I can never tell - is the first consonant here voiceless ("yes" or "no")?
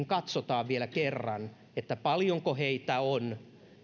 no